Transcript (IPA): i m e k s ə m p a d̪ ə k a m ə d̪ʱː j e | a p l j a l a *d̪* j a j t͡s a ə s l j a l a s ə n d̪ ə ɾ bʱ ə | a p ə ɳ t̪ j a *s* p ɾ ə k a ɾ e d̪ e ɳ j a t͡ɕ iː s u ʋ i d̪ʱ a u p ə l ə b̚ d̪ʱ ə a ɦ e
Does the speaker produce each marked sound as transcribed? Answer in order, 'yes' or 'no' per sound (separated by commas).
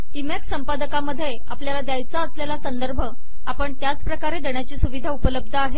yes, no